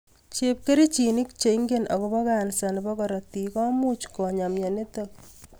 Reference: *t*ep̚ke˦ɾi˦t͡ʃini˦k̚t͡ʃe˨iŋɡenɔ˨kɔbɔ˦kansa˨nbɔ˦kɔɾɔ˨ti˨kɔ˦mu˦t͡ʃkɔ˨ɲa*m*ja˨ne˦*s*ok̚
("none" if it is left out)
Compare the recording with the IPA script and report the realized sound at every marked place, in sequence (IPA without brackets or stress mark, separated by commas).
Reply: t͡ʃ, m, t